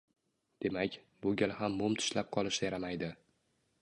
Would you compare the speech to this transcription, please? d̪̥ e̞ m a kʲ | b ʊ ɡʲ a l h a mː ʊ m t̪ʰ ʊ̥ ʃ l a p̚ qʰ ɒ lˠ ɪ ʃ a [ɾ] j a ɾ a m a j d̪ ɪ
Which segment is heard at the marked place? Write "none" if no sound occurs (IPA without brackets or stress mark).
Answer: none